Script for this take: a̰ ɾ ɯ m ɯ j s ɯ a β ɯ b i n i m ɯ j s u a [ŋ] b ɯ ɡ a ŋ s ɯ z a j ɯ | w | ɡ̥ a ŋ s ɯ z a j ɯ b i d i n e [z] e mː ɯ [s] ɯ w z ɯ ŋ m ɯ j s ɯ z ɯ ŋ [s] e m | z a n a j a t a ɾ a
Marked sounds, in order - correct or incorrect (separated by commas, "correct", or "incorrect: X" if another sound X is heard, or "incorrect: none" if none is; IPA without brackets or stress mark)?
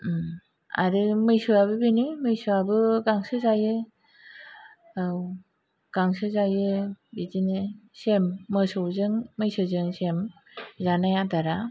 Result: incorrect: none, incorrect: s, correct, correct